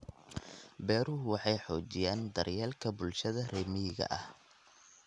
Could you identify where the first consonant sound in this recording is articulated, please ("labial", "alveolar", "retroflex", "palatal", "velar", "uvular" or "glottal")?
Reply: labial